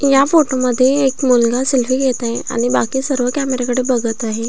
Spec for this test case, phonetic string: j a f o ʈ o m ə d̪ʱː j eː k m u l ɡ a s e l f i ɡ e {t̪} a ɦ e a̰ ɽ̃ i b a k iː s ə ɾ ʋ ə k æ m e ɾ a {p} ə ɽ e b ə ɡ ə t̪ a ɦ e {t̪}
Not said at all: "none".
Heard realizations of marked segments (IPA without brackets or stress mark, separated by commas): t̪, k, none